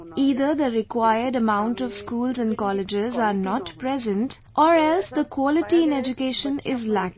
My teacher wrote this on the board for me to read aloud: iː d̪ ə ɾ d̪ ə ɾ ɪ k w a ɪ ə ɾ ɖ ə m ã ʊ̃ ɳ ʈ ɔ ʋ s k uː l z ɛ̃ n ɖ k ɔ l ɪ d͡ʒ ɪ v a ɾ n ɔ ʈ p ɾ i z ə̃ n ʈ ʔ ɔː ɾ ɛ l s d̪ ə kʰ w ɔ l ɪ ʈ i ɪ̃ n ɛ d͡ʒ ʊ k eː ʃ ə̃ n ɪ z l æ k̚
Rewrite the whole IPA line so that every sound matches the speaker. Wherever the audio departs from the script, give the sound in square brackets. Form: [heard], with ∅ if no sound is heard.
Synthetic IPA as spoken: iː d̪ ə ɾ d̪ ə ɾ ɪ k w a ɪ ə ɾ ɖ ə m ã ʊ̃ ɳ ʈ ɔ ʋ s k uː l z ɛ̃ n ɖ k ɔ l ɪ d͡ʒ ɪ [z] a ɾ n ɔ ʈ p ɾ [ɛ] z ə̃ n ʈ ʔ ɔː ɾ ɛ l s d̪ ə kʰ w ɔ l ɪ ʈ i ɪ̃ n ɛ d͡ʒ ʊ k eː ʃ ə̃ n ɪ z l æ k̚